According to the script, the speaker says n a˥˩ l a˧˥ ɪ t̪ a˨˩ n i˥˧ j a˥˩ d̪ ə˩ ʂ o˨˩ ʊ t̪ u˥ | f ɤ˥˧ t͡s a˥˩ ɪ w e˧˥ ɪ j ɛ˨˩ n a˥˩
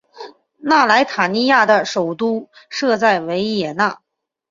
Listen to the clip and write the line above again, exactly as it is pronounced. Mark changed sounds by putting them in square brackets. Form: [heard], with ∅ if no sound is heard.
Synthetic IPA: n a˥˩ l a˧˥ ɪ [t̪ʰ] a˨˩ n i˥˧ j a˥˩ d̪ ə˩ ʂ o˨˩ ʊ t̪ u˥ | [ʂ] ɤ˥˧ t͡s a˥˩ ɪ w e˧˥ ɪ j ɛ˨˩ n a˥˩